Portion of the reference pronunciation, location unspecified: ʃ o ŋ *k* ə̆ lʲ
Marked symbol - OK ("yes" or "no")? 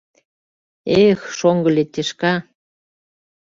no